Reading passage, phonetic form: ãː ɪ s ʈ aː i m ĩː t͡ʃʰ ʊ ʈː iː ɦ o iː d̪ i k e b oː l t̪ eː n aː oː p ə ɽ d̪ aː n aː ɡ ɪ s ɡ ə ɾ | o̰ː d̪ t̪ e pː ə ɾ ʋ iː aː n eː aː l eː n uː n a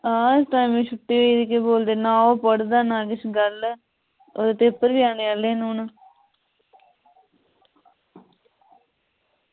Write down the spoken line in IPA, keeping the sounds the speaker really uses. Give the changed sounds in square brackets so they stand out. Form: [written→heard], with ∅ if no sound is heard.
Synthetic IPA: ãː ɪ s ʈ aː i m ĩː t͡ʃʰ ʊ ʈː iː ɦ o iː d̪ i k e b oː l [t̪→d̪] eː n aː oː p ə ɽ d̪ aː n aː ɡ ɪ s ɡ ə [ɾ→l] | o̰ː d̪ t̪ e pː ə ɾ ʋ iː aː n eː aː l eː n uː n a